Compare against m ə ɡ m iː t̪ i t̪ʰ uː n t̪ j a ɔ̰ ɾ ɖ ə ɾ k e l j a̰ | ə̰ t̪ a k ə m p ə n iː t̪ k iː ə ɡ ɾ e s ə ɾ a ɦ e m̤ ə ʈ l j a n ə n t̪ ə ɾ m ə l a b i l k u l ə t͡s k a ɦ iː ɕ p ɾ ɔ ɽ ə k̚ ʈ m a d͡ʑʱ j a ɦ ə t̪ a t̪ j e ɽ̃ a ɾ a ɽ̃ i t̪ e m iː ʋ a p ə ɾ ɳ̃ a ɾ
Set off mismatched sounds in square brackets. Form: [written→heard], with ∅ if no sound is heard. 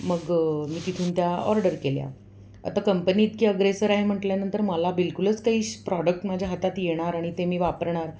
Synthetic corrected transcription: m ə ɡ m iː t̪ i t̪ʰ uː n t̪ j a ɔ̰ ɾ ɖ ə ɾ k e l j a̰ | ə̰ t̪ a k ə m p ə n iː t̪ k iː ə ɡ ɾ e s ə ɾ a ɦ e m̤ ə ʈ l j a n ə n t̪ ə ɾ m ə l a b i l k u l ə t͡s k a ɦ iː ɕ p ɾ ɔ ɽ ə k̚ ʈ m a d͡ʑʱ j a ɦ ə t̪ a t̪ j e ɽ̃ a ɾ a ɽ̃ i t̪ e m iː ʋ a p ə ɾ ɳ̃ a ɾ